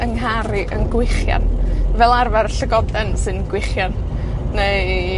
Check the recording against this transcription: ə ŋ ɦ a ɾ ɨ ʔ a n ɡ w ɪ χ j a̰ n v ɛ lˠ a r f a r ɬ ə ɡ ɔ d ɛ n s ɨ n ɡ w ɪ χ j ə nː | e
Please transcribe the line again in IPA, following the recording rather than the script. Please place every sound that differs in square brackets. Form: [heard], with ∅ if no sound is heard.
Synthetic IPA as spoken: ə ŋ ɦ a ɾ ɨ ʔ [ə] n ɡ w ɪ χ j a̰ n v ɛ lˠ a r [v] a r ɬ ə ɡ ɔ d ɛ n s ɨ n ɡ w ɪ χ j [a] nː | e